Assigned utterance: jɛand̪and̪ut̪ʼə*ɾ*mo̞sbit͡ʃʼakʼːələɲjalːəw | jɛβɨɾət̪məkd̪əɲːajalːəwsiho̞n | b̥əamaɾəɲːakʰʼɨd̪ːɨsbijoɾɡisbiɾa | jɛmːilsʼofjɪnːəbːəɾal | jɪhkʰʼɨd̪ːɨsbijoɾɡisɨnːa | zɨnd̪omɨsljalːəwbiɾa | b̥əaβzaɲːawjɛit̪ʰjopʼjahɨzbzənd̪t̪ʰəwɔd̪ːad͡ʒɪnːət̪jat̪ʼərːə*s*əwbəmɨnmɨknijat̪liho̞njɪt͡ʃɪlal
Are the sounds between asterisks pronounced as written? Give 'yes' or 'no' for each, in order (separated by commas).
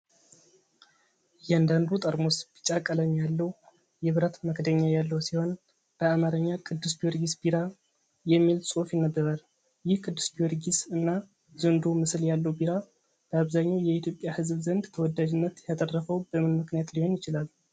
yes, no